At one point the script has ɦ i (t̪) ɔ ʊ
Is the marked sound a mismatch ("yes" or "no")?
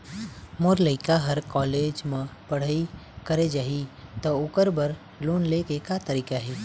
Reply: no